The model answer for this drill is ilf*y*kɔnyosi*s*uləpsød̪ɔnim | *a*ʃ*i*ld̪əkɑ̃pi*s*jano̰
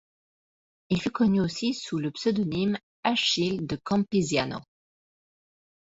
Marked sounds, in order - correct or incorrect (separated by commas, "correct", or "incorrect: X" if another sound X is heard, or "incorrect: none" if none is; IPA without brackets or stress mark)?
correct, correct, correct, correct, incorrect: z